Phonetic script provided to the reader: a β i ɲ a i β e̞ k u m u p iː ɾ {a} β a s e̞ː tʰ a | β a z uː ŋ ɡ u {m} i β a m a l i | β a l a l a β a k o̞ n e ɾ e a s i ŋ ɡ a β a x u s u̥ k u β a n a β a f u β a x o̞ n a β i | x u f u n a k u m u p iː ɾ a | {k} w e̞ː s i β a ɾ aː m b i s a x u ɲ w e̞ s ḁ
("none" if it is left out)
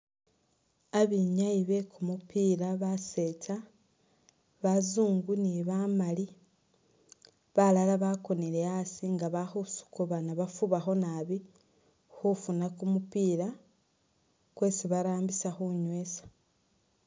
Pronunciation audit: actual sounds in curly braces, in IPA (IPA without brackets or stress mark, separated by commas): a, n, k